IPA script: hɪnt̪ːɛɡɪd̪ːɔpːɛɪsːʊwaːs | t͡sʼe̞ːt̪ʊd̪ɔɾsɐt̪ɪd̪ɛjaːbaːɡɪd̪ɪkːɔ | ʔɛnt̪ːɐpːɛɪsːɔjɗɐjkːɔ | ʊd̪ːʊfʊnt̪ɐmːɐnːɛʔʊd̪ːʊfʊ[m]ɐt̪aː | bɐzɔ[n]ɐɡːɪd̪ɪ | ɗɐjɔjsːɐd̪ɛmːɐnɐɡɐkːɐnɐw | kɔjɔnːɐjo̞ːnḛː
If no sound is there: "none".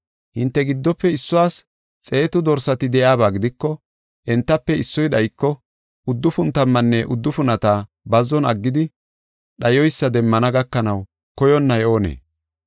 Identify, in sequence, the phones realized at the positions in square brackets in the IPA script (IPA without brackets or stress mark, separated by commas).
n, n